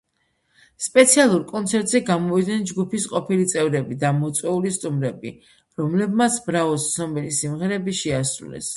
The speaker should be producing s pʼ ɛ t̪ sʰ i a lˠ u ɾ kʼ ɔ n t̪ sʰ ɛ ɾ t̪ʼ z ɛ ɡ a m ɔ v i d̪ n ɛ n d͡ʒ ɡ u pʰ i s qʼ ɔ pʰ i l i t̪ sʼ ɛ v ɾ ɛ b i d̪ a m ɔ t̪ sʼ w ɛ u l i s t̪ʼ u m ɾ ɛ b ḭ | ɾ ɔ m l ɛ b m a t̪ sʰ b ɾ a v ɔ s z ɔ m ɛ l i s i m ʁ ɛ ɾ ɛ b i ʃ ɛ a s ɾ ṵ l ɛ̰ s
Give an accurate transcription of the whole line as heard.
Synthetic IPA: s pʼ ɛ t̪ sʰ i a lˠ u ɾ kʼ ɔ n t̪ sʰ ɛ ɾ t̪ʼ z ɛ ɡ a m ɔ v i d̪ n ɛ n d͡ʒ ɡ u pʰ i s qʼ ɔ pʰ i l i t̪ sʼ ɛ v ɾ ɛ b i d̪ a m ɔ t̪ sʼ w ɛ u l i s t̪ʼ u m ɾ ɛ b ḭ | ɾ ɔ m l ɛ b m a t̪ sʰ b ɾ a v ɔ s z ɔ m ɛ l i s i m ʁ ɛ ɾ ɛ b i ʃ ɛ a s ɾ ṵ l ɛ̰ s